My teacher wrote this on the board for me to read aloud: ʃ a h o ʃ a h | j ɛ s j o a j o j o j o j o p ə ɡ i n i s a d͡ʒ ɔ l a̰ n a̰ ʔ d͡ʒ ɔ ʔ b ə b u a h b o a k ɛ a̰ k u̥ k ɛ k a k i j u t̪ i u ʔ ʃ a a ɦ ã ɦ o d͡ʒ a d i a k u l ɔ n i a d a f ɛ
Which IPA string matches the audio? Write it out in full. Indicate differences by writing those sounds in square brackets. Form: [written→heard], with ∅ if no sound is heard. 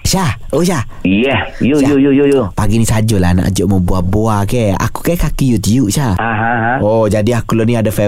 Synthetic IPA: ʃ a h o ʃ a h | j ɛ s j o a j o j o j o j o p [ə→a] ɡ i n i s a d͡ʒ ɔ l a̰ n a̰ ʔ d͡ʒ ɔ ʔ [b→m] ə b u a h b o a k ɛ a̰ k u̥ k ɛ k a k i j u t̪ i u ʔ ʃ a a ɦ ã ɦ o d͡ʒ a d i a k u l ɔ n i a d a f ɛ